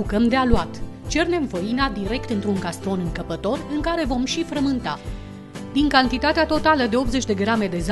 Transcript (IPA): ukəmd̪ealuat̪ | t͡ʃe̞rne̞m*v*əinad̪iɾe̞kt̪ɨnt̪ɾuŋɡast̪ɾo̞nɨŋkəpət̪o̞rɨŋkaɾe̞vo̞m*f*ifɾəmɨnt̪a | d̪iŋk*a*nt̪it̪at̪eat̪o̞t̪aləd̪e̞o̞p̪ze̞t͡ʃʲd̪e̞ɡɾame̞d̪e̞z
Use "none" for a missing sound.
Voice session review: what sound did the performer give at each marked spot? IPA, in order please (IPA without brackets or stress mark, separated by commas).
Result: v, ʃ, a